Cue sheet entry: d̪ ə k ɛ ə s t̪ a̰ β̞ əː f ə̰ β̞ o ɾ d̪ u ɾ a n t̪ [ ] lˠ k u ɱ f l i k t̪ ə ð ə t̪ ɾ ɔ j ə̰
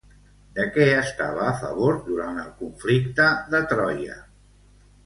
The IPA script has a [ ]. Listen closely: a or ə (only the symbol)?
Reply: ə